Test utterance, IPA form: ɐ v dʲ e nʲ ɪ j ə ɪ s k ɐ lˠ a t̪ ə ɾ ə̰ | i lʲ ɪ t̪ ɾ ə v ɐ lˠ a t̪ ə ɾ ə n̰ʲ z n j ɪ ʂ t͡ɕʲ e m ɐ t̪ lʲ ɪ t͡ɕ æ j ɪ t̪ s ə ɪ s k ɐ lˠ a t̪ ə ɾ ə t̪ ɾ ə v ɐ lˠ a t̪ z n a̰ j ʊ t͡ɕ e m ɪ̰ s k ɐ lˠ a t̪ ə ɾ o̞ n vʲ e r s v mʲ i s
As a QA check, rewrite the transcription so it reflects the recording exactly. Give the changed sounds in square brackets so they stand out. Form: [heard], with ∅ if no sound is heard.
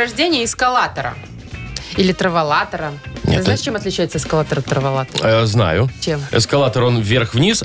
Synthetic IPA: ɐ [ʐ] dʲ e nʲ ɪ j ə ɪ s k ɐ lˠ a t̪ ə ɾ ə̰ | i lʲ ɪ t̪ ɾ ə v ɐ lˠ a t̪ ə ɾ ə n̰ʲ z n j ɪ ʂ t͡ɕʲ e m ɐ t̪ lʲ ɪ t͡ɕ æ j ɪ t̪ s ə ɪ s k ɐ lˠ a t̪ ə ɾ ə t̪ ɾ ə v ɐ lˠ a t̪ z n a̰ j ʊ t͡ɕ e m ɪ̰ s k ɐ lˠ a t̪ ə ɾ o̞ n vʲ e r [x] v [nʲ] i s